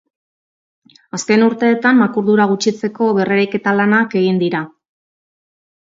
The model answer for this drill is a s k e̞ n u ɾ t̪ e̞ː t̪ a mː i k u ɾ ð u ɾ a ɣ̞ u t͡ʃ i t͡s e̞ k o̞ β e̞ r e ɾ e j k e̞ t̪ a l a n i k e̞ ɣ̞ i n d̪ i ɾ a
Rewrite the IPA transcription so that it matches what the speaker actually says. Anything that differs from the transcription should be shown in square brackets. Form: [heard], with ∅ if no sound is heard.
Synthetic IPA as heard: a s k e̞ n u ɾ t̪ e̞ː t̪ a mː [a] k u ɾ ð u ɾ a ɣ̞ u t͡ʃ i t͡s e̞ k o̞ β e̞ r e ɾ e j k e̞ t̪ a l a n [a] k e̞ ɣ̞ i n d̪ i ɾ a

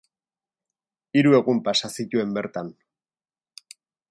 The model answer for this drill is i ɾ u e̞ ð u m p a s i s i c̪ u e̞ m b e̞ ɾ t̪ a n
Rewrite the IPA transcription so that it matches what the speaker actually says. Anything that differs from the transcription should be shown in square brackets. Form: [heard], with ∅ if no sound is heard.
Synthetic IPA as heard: i ɾ u e̞ [ɣ] u m p a s [a] s i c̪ u e̞ m b e̞ ɾ t̪ a n

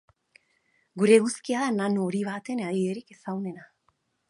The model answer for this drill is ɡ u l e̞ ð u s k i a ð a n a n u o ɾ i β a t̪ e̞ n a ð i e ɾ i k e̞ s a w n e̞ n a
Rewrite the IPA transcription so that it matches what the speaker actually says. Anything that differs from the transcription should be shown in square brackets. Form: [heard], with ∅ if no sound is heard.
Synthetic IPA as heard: ɡ u [ɾ] e̞ [ɣ] u s k i a ð a n a n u o ɾ i β a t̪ e̞ n a ð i e ɾ i k e̞ s a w n e̞ n a

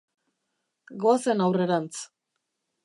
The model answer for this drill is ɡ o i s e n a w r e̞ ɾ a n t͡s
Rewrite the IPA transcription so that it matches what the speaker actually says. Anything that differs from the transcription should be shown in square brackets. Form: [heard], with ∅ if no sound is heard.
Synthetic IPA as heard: ɡ o [a] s e n a w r e̞ ɾ a n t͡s

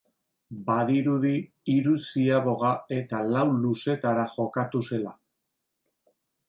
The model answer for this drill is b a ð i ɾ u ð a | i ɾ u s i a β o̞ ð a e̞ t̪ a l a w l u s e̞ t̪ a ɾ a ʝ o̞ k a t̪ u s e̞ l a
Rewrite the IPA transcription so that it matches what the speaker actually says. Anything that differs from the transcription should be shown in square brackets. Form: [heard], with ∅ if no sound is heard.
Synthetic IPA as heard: b a ð i ɾ u ð [i] | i ɾ u s i a β o̞ [ɣ] a e̞ t̪ a l a w l u s e̞ t̪ a ɾ a ʝ o̞ k a t̪ u s e̞ l a

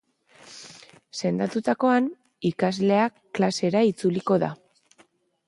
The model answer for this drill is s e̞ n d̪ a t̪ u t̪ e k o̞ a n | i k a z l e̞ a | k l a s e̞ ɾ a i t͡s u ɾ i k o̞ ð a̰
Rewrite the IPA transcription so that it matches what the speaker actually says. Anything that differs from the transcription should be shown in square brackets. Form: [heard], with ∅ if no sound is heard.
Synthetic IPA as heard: s e̞ n d̪ a t̪ u t̪ [a] k o̞ a n | i k a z l e̞ a | k l a s e̞ ɾ a i t͡s u [l] i k o̞ ð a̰

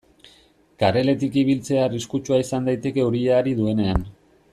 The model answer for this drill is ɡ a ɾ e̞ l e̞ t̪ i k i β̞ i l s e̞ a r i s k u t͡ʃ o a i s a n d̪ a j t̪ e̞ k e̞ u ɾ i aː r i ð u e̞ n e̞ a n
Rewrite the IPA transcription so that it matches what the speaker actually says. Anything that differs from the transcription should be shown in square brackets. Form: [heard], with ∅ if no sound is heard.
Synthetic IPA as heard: [k] a ɾ e̞ l e̞ t̪ i k i β̞ i l [t͡s] e̞ a r i s k u t͡ʃ [u] a i s a n d̪ a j t̪ e̞ k e̞ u ɾ i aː [ɾ] i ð u e̞ n e̞ a n

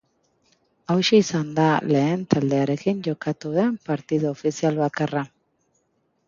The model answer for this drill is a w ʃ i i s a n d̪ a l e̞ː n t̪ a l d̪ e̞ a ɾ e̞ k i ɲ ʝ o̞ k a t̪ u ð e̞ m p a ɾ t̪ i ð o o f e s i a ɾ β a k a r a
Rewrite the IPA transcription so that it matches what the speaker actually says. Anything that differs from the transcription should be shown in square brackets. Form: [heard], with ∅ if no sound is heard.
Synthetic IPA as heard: a w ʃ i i s a n d̪ a l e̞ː n t̪ a l d̪ e̞ a ɾ e̞ k i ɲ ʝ o̞ k a t̪ u ð e̞ m p a ɾ t̪ i ð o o f [i] s i a [l] β a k a r a

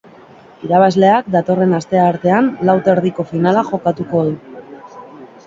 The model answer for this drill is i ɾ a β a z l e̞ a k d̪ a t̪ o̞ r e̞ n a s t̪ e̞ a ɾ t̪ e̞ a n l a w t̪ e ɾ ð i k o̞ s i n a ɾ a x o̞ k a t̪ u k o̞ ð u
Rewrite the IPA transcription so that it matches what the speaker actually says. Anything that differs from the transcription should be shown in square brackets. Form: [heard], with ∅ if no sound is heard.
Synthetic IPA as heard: i ɾ a β a z l e̞ a k d̪ a t̪ o̞ r e̞ n a s t̪ e̞ a ɾ t̪ e̞ a n l a w t̪ e ɾ ð i k o̞ [f] i n a [l] a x o̞ k a t̪ u k o̞ ð u

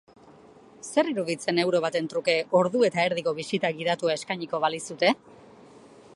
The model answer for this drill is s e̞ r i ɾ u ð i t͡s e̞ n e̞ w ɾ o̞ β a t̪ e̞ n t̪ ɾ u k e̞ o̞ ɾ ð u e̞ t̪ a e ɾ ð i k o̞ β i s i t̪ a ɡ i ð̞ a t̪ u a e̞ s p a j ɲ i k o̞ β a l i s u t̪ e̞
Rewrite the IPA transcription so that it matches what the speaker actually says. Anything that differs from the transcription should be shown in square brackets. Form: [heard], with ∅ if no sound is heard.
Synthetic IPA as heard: s e̞ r i ɾ u ð i t͡s e̞ n e̞ w ɾ o̞ β a t̪ e̞ n t̪ ɾ u k e̞ o̞ ɾ ð u e̞ t̪ a e ɾ ð i k o̞ β i s i t̪ a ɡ i ð̞ a t̪ u a e̞ s [k] a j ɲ i k o̞ β a l i s u t̪ e̞

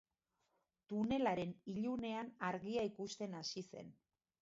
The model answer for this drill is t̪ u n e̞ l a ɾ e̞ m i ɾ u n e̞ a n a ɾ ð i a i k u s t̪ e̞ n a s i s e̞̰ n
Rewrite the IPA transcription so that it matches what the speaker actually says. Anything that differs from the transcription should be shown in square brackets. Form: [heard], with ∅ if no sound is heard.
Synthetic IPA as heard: t̪ u n e̞ l a ɾ e̞ [n] i [ʎ] u n e̞ a n a ɾ [ɣ] i a i k u s t̪ e̞ n a s i s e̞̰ n

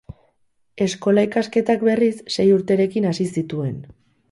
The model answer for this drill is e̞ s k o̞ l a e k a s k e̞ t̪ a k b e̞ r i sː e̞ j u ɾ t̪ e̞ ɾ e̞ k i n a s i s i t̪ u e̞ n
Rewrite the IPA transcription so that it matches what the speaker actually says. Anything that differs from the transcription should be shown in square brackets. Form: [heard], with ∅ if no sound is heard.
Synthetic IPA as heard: e̞ s k o̞ l a [i] k a s k e̞ t̪ a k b e̞ r i sː e̞ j u ɾ t̪ e̞ ɾ e̞ k i n a s i s i t̪ u e̞ n

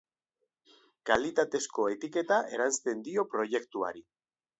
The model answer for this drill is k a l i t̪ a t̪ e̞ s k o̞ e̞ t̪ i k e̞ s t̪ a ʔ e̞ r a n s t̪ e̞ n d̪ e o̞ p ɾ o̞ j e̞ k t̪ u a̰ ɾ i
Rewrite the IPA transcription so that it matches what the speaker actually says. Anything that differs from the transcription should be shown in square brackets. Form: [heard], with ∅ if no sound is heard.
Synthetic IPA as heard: k a l i t̪ a t̪ e̞ s k o̞ e̞ t̪ i k e̞ [∅] t̪ a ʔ e̞ [ɾ] a n s t̪ e̞ n d̪ [i] o̞ p ɾ o̞ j e̞ k t̪ u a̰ ɾ i

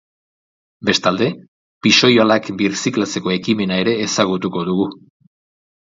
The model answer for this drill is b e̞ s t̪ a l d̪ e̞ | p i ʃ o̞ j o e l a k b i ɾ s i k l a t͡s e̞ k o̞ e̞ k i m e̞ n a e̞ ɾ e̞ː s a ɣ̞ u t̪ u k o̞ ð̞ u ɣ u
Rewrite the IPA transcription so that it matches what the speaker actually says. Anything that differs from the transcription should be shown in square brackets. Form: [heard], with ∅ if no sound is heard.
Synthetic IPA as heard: b e̞ s t̪ a l d̪ e̞ | p i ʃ o̞ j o [a] l a k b i ɾ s i k l a t͡s e̞ k o̞ e̞ k i m e̞ n a e̞ ɾ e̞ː s a ɣ̞ u t̪ u k o̞ ð̞ u ɣ u

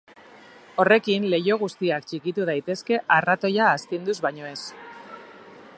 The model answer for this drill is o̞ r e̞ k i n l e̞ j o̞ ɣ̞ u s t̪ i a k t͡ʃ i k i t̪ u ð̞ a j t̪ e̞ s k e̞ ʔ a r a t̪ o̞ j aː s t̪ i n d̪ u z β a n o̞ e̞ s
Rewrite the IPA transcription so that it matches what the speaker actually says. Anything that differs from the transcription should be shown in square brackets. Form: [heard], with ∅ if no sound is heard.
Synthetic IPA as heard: o̞ r e̞ k i n l e̞ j o̞ ɣ̞ u s t̪ i a k t͡ʃ i k i t̪ u ð̞ a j t̪ e̞ s k e̞ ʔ a r a t̪ o̞ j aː s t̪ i n d̪ u z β a [ɲ] o̞ e̞ s

